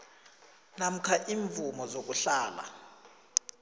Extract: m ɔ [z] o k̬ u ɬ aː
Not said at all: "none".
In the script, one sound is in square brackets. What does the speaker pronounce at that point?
z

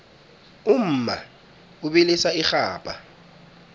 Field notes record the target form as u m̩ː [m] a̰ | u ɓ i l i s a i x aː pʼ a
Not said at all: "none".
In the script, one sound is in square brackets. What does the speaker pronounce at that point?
m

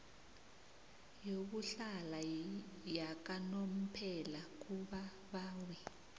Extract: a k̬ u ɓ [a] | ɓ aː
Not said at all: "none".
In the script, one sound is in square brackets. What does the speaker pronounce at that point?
a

